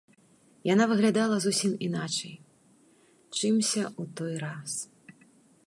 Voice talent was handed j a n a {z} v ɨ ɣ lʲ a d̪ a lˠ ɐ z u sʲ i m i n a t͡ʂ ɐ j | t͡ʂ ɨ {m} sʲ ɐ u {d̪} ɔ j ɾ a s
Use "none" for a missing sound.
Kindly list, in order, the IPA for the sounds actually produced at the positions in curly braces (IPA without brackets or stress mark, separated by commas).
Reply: none, m, t̪